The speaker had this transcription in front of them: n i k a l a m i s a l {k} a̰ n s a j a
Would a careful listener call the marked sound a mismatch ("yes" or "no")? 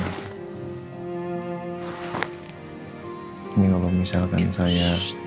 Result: no